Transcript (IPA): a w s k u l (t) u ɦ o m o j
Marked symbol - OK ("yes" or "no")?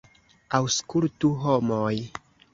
yes